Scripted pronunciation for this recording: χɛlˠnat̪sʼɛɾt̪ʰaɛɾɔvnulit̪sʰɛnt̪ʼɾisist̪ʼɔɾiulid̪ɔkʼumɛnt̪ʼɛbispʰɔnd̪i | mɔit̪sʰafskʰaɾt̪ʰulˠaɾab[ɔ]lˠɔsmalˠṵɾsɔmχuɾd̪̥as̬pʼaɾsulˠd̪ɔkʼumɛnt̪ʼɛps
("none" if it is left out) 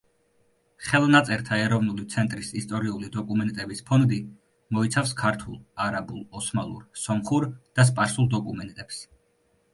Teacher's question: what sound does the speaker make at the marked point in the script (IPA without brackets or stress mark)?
u